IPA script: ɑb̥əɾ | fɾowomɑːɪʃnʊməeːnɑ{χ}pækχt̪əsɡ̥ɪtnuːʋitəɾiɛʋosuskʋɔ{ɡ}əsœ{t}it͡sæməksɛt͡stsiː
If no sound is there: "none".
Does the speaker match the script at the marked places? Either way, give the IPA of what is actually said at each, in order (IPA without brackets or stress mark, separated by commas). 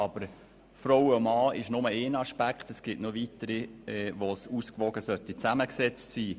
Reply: ʃ, ɡ, t